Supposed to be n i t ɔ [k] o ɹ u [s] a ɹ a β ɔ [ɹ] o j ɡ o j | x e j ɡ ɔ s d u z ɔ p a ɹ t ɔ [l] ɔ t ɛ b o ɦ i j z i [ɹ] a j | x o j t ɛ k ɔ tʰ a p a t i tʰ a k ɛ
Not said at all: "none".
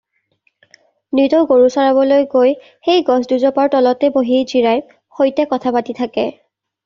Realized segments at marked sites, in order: ɡ, s, l, l, ɹ

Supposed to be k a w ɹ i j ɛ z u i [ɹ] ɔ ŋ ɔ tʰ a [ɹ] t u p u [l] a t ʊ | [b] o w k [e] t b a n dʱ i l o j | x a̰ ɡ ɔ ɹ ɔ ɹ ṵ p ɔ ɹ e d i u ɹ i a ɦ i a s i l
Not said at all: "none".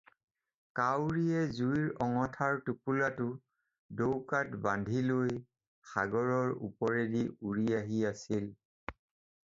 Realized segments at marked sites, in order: ɹ, ɹ, l, d, a

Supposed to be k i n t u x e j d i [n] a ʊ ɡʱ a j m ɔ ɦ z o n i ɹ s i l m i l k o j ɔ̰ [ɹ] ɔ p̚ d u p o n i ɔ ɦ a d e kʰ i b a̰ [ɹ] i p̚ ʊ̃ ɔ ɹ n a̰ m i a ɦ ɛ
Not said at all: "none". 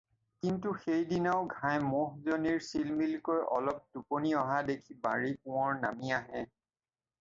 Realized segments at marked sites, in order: n, l, ɹ

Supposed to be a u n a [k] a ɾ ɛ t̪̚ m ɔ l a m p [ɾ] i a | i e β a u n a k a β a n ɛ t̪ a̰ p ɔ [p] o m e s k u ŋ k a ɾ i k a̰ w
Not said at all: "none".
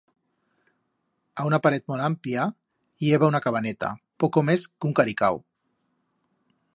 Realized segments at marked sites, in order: p, l, k

